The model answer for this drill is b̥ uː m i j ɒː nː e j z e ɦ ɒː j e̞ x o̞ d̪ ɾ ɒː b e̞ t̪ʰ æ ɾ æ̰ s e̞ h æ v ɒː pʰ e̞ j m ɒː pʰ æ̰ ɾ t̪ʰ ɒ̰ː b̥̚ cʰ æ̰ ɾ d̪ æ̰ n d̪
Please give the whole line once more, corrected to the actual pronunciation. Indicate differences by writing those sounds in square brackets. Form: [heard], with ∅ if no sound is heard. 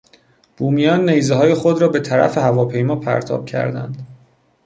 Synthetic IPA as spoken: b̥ uː m i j ɒː nː e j z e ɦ ɒː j e̞ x o̞ d̪ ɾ ɒː b e̞ t̪ʰ æ ɾ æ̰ [f] e̞ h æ v ɒː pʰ e̞ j m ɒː pʰ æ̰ ɾ t̪ʰ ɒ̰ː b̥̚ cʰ æ̰ ɾ d̪ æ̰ n d̪